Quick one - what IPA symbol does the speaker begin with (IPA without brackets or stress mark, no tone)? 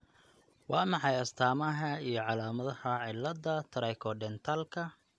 w